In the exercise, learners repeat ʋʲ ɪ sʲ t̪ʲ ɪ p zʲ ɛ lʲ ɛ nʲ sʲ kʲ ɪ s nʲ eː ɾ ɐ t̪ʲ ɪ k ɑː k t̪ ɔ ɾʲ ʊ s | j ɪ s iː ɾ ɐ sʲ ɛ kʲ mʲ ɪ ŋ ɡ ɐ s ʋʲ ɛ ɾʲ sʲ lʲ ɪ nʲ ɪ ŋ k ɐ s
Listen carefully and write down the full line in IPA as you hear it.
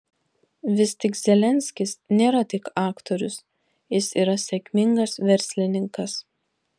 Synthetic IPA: ʋʲ ɪ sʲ t̪ʲ ɪ k zʲ ɛ lʲ ɛ nʲ sʲ kʲ ɪ s nʲ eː ɾ ɐ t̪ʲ ɪ k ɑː k t̪ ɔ ɾʲ ʊ s | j ɪ s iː ɾ ɐ sʲ ɛ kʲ mʲ ɪ ŋ ɡ ɐ s ʋʲ ɛ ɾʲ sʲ lʲ ɪ nʲ ɪ ŋ k ɐ s